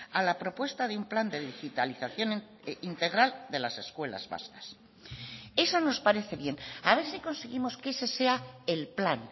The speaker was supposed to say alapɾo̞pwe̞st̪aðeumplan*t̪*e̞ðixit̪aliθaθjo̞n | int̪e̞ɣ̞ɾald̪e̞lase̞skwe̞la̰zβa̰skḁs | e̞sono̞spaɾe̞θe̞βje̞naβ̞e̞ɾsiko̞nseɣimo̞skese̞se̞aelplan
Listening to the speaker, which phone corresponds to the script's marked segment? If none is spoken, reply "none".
d̪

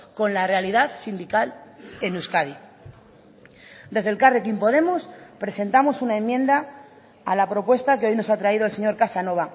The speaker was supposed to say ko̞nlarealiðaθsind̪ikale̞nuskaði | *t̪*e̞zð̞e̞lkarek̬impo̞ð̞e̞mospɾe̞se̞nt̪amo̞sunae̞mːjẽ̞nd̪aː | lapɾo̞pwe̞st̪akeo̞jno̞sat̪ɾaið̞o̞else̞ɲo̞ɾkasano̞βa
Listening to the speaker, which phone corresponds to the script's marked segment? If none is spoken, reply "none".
d̪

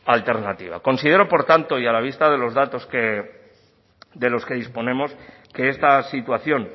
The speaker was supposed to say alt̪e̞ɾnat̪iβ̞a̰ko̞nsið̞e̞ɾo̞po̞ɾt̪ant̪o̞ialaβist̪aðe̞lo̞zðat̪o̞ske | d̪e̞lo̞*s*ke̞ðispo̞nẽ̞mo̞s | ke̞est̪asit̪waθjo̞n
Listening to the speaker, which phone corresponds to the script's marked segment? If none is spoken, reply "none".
s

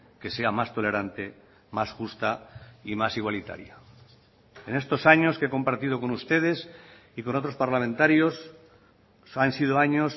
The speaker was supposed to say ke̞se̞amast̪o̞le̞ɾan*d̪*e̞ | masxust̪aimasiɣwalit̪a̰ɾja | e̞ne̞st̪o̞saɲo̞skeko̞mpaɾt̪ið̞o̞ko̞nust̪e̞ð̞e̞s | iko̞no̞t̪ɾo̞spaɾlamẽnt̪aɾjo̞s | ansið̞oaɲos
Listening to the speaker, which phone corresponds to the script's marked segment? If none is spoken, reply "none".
t̪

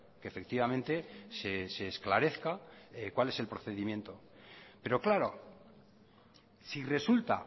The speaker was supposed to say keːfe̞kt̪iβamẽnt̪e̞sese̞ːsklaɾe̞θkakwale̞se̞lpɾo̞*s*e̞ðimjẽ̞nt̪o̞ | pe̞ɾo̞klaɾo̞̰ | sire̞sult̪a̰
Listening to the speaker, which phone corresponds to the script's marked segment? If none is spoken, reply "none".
θ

